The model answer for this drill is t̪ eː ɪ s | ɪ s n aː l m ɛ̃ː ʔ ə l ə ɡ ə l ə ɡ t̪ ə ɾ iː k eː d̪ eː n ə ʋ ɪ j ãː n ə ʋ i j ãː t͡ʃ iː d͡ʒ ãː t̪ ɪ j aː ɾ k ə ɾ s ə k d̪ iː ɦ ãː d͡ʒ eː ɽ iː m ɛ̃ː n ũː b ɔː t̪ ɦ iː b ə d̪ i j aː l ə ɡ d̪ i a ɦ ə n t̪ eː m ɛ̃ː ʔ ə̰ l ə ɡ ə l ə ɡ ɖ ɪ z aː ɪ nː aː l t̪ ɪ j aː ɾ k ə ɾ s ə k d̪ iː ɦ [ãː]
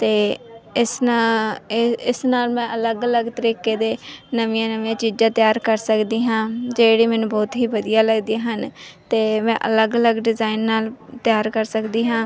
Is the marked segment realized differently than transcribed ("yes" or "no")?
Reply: no